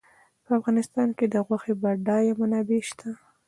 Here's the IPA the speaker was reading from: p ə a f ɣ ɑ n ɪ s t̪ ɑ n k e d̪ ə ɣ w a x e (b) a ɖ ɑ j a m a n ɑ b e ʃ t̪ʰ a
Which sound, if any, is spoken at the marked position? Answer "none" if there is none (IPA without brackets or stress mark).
b